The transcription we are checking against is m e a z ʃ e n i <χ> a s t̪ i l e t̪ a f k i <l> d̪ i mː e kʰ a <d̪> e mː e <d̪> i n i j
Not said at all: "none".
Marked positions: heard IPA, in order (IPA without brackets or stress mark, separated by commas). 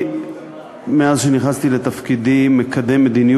χ, none, d̪, d̪